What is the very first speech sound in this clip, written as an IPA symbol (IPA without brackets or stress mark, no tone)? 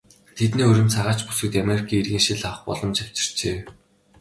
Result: t̪ʰ